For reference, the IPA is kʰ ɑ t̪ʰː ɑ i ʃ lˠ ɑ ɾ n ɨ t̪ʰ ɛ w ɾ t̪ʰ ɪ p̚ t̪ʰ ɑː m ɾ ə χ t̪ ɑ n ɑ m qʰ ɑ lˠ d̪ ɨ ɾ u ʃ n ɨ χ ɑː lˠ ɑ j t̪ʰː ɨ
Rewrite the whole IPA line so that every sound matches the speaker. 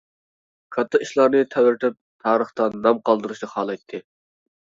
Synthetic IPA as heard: kʰ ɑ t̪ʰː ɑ i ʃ lˠ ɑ ɾ n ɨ t̪ʰ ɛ w ɾ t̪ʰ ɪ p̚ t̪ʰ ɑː ɾ ə χ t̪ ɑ n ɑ m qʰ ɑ lˠ d̪ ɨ ɾ u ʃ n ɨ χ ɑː lˠ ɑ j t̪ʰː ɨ